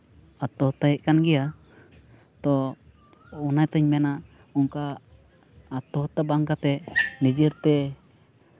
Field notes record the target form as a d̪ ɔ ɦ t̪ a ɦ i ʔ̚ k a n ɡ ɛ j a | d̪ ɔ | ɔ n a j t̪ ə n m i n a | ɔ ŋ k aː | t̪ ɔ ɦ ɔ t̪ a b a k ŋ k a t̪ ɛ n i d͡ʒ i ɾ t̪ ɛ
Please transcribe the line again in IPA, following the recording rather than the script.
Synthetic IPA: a t̪ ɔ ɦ t̪ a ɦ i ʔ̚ k a n ɡ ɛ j a | t̪ ɔ | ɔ n a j t̪ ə ɲ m ɛ n a | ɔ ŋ k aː | t̪ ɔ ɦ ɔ t̪ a b a ŋ k a t̪ ɛ n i d͡ʒ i ɾ t̪ ɛ